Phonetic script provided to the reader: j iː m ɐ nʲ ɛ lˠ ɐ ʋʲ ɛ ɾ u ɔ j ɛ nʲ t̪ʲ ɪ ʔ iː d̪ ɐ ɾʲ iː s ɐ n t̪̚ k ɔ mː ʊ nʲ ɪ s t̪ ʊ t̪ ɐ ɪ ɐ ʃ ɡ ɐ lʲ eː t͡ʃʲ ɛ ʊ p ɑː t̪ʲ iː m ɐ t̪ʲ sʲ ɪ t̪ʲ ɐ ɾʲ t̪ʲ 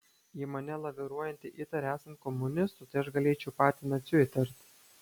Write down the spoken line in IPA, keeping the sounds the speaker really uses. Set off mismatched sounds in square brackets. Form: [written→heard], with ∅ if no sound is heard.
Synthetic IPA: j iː m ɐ nʲ ɛ lˠ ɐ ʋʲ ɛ ɾ u ɔ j ɛ nʲ t̪ʲ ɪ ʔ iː [d̪→t̪] ɐ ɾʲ [iː→æː] s ɐ n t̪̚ k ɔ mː ʊ nʲ ɪ s t̪ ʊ t̪ ɐ ɪ ɐ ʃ ɡ ɐ lʲ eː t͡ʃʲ ɛ ʊ p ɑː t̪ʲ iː [m→n] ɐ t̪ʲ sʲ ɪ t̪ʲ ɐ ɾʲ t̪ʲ